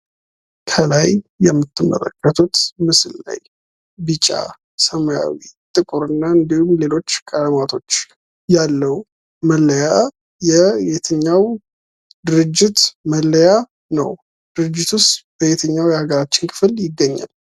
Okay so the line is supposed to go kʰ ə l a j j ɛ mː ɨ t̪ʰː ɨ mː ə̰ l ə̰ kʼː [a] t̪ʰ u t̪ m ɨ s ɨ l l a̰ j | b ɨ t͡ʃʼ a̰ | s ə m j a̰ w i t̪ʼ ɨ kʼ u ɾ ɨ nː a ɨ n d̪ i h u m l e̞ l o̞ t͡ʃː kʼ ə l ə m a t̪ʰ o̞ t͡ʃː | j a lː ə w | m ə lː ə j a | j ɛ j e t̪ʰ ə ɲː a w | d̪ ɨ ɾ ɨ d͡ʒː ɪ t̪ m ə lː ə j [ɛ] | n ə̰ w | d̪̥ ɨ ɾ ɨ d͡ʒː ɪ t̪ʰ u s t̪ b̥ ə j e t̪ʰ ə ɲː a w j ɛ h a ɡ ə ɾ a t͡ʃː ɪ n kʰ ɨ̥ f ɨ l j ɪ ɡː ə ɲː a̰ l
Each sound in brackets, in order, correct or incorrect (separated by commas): incorrect, incorrect